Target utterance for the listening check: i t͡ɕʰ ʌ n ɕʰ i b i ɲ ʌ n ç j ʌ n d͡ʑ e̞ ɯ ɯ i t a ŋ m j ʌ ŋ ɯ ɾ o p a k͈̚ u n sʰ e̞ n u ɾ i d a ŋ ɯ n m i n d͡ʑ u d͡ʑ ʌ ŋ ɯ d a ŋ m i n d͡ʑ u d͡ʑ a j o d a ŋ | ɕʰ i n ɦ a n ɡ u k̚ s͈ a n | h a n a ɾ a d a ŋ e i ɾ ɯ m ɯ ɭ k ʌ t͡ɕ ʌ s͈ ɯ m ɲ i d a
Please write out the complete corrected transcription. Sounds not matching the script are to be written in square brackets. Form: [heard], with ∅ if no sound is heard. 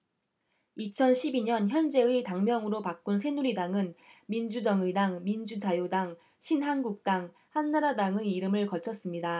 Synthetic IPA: i t͡ɕʰ ʌ n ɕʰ i b i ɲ ʌ n ç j ʌ n d͡ʑ e̞ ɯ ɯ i t a ŋ m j ʌ ŋ ɯ ɾ o p a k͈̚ u n sʰ e̞ n u ɾ i d a ŋ ɯ n m i n d͡ʑ u d͡ʑ ʌ ŋ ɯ d a ŋ m i n d͡ʑ u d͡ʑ a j o d a ŋ | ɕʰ i n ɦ a n ɡ u k̚ [t͈] a [ŋ] | h a [nː] a ɾ a d a ŋ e i ɾ ɯ m ɯ ɭ k ʌ [t͡ɕʰ] ʌ s͈ ɯ m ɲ i d a